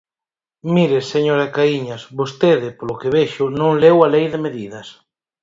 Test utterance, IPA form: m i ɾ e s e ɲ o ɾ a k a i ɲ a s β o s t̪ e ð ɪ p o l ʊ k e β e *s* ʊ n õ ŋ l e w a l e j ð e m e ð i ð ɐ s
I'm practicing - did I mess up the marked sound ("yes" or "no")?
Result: yes